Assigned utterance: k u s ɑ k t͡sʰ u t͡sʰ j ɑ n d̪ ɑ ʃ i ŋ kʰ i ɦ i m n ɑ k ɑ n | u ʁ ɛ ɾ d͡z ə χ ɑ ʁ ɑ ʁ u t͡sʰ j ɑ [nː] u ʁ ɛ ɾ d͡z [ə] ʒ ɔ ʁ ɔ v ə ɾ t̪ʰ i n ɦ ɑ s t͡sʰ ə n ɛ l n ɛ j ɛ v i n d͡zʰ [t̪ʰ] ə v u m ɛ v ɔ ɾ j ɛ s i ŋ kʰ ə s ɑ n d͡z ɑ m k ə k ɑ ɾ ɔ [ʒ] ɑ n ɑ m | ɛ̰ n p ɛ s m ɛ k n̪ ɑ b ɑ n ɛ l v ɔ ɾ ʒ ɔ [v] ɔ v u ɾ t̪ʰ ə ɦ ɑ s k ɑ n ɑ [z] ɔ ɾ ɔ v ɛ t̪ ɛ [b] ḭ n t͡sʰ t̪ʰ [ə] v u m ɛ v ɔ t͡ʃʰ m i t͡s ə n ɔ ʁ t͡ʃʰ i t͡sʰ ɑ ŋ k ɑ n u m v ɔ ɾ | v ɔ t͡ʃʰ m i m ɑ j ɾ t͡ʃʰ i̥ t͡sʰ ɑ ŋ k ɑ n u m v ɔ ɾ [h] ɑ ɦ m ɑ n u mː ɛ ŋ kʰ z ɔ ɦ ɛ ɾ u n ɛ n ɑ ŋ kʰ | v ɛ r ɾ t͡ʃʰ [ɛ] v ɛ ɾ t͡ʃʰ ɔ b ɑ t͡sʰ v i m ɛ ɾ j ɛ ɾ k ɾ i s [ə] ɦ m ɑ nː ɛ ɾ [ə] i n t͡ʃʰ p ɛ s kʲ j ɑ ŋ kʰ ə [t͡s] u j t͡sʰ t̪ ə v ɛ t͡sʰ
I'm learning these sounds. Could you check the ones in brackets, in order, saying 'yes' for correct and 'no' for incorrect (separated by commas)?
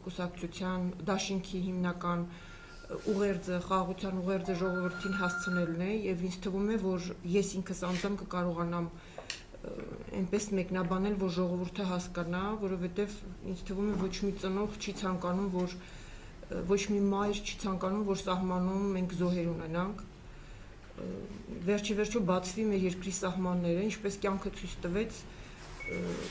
no, yes, yes, no, no, no, no, yes, no, no, no, yes, no